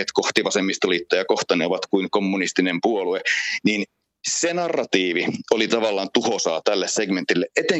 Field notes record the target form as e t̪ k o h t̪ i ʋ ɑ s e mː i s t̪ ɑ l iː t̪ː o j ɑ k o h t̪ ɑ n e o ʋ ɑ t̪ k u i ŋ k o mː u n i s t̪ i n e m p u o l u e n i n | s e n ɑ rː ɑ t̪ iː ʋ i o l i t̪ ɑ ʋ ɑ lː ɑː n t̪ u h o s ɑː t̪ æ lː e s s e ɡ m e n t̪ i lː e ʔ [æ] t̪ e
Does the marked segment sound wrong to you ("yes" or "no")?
yes